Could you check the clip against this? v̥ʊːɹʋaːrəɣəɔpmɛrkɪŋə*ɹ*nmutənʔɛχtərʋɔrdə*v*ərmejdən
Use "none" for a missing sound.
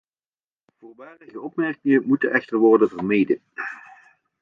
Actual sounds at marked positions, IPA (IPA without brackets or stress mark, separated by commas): none, v